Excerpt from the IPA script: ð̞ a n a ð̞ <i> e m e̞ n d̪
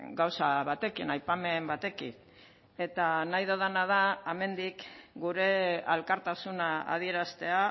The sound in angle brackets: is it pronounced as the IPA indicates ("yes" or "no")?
no